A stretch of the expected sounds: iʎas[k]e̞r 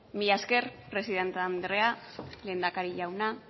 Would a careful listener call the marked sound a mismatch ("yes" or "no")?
no